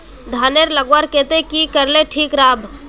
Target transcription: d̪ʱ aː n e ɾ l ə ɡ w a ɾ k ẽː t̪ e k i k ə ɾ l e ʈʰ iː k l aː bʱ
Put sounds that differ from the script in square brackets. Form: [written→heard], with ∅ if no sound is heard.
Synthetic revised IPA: d̪ʱ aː n e ɾ l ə ɡ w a ɾ k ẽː t̪ e k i k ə ɾ l e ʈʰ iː k [l→ɾ] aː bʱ

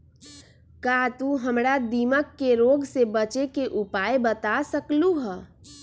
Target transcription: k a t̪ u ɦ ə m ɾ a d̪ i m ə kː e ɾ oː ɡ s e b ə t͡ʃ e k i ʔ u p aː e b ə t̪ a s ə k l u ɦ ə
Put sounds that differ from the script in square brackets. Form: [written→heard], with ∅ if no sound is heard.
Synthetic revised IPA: k a t̪ u ɦ ə m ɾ a d̪ i m ə kː e ɾ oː ɡ s e b ə t͡ʃ e k [i→e] ʔ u p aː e b ə t̪ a s ə k l u ɦ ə

